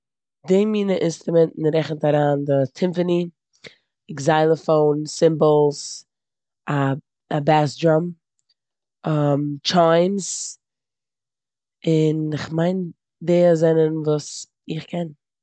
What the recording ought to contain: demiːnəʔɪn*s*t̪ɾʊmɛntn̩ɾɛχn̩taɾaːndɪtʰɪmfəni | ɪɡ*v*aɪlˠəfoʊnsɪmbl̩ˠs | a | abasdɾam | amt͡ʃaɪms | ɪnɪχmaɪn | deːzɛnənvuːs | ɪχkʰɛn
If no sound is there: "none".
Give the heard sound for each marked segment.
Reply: s, z

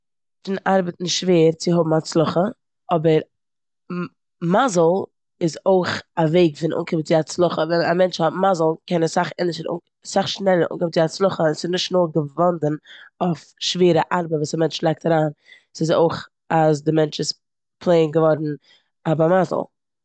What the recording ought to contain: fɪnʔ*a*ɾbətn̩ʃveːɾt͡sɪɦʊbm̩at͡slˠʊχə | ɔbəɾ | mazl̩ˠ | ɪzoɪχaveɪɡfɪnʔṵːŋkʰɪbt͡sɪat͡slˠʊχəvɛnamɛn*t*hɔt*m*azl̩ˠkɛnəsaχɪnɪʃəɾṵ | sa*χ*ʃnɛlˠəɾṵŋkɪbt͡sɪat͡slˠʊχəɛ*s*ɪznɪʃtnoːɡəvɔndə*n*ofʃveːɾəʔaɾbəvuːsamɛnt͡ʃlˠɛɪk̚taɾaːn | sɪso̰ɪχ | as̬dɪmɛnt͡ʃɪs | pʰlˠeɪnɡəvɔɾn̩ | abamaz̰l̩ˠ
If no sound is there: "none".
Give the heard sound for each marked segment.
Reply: a, t͡ʃ, m, χ, s, n

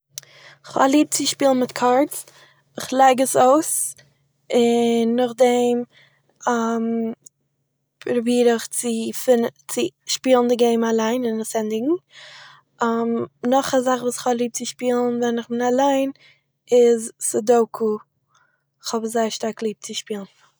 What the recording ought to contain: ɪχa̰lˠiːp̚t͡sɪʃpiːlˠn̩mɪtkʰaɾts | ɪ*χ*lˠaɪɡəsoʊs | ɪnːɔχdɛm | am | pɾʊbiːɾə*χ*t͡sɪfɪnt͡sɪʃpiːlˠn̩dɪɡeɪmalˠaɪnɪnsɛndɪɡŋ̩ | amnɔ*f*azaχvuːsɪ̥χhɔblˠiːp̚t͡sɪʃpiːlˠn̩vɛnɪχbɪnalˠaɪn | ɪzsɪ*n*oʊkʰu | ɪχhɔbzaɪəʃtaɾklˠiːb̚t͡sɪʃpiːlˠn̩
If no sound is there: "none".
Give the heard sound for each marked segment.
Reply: χ, χ, χ, d

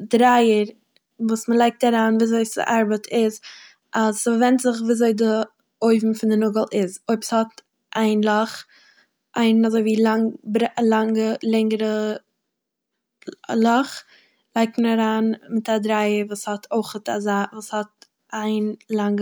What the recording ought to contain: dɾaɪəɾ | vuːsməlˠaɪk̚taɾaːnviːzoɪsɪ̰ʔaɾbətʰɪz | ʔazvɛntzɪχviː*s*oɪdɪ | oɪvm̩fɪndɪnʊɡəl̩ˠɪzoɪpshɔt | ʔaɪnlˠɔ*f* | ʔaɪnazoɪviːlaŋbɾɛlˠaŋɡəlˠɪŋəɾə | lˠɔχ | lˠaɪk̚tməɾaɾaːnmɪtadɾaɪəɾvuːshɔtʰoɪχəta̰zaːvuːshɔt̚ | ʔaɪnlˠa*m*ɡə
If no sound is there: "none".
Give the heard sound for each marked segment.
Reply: z, χ, ŋ

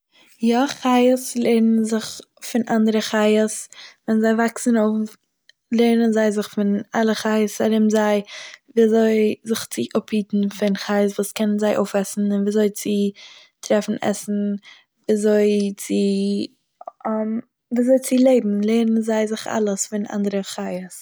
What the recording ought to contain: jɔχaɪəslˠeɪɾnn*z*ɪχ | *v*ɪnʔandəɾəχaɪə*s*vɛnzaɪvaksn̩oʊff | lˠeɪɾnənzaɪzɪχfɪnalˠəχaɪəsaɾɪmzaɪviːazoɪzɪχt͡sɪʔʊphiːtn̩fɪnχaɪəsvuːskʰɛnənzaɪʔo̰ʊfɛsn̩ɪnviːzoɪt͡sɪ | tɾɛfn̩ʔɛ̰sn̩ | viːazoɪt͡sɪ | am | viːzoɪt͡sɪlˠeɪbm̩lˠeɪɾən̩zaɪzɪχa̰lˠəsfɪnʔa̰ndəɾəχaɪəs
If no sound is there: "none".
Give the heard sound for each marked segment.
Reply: z, f, s

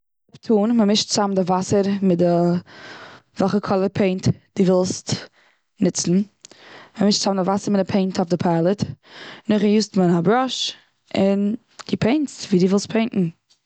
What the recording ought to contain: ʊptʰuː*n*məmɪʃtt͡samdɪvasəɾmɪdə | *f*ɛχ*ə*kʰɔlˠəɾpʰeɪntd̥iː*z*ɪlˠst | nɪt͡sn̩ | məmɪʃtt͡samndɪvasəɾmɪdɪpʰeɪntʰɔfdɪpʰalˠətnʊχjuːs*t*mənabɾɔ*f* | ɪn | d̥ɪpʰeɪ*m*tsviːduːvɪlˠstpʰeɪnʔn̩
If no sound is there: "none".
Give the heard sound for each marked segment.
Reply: n, v, ə, v, t, ʃ, n

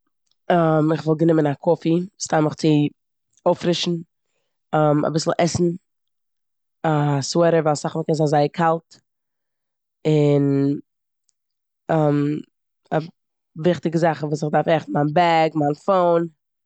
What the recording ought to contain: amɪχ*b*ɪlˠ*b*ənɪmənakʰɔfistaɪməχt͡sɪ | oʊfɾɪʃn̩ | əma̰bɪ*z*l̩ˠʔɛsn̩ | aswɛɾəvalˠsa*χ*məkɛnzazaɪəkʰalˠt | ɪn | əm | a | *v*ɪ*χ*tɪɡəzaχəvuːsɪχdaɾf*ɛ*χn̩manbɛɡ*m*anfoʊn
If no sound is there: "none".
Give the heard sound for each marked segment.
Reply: v, ɡ, s, χ, v, χ, ɛ, m

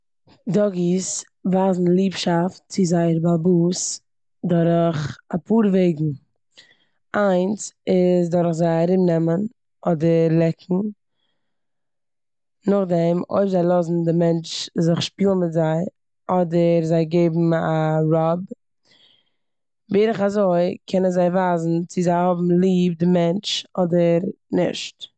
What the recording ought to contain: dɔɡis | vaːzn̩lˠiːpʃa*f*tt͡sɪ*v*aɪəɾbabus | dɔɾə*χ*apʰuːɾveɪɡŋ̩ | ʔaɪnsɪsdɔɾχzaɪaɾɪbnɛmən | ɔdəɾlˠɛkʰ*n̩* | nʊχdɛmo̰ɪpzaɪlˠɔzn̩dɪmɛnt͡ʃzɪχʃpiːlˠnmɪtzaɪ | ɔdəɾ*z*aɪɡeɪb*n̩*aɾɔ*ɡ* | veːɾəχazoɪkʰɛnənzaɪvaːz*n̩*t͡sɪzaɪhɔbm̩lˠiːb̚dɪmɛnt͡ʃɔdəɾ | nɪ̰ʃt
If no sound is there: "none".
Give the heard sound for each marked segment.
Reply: f, z, χ, ŋ̩, z, m̩, b, n̩

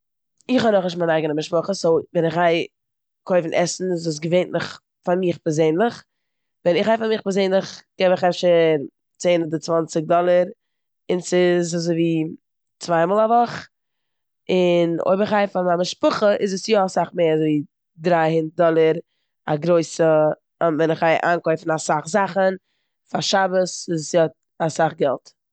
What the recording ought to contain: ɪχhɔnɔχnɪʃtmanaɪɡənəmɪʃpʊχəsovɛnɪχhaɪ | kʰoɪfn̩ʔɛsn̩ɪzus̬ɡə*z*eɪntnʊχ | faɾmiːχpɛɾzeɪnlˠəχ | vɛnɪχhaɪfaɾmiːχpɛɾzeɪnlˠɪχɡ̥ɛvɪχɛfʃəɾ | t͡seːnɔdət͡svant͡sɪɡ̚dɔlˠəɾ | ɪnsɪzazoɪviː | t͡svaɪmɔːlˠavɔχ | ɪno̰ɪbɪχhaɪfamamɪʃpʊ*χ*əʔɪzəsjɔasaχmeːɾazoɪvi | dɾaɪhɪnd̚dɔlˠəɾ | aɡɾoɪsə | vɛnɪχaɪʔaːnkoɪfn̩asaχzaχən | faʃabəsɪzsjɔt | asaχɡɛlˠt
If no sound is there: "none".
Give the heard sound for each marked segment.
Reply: v, χ

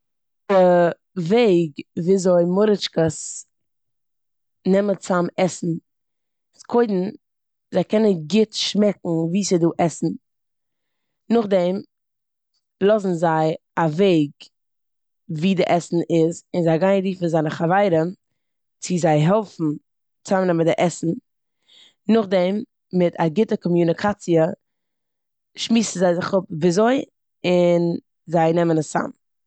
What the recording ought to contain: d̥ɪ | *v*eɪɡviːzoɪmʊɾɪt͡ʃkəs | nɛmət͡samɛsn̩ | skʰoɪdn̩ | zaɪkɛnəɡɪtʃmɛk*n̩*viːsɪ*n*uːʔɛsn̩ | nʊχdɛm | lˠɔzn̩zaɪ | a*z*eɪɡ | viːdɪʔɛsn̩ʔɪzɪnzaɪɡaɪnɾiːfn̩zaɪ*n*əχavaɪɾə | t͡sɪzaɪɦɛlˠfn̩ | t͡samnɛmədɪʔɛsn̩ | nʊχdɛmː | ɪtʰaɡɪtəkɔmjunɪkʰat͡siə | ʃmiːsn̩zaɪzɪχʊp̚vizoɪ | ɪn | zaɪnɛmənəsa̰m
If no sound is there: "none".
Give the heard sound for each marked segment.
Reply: v, ŋ̩, d, v, n

